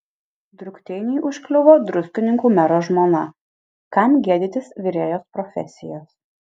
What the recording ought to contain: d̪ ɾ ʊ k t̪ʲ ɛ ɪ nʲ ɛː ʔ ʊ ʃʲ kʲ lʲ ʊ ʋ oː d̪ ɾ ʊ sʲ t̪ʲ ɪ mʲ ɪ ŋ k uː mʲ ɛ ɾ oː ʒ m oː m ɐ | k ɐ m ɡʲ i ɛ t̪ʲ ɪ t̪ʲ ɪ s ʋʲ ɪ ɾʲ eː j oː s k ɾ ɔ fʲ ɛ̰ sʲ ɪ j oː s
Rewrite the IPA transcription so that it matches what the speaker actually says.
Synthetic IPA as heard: d̪ ɾ ʊ k t̪ʲ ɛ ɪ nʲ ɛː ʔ ʊ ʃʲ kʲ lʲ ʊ ʋ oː d̪ ɾ ʊ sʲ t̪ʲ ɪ nʲ ɪ ŋ k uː mʲ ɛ ɾ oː ʒ m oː n ɐ | k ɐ m ɡʲ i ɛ d̪ʲ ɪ t̪ʲ ɪ s ʋʲ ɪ ɾʲ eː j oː s p ɾ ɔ fʲ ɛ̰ sʲ ɪ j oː s